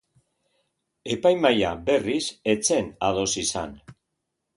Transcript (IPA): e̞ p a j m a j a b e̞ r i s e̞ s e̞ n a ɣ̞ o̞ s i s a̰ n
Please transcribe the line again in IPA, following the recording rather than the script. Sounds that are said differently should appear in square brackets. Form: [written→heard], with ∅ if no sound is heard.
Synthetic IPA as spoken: e̞ p a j m a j a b e̞ r i s e̞ [s→t͡s] e̞ n a [ɣ̞→ð̞] o̞ s i s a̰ n